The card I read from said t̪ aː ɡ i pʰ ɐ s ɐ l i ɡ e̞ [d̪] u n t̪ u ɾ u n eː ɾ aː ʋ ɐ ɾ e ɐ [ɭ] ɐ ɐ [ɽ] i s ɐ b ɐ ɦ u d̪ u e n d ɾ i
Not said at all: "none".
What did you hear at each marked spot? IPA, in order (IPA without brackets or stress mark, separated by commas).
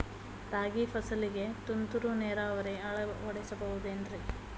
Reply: t̪, ɭ, ɽ